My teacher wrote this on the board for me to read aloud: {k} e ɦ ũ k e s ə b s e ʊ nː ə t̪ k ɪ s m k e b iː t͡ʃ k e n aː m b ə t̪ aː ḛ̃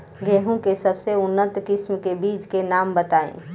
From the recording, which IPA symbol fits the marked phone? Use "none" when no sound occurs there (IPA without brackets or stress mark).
ɡ